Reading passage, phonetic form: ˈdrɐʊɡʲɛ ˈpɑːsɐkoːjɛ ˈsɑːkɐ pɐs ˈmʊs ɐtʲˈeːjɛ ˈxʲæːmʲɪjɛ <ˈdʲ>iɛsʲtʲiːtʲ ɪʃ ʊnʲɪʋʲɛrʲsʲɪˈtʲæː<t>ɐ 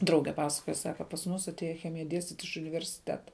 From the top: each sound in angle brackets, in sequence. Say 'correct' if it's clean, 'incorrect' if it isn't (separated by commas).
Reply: correct, correct